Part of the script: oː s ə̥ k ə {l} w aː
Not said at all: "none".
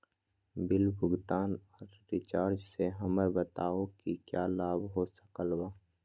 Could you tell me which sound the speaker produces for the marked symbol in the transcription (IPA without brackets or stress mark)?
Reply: l